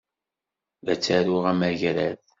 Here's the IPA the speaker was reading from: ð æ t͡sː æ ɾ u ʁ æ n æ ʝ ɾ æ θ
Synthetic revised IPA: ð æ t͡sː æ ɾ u ʁ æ m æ ʝ ɾ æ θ